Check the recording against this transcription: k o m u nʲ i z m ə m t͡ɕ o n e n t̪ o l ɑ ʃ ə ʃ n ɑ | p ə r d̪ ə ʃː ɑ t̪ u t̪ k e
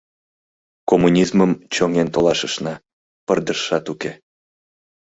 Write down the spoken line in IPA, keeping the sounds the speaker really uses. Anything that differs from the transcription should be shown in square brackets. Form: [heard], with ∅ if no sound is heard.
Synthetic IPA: k o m u nʲ i z m ə m t͡ɕ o [ŋ] e n t̪ o l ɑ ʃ ə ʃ n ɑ | p ə r d̪ ə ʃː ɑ t̪ u [∅] k e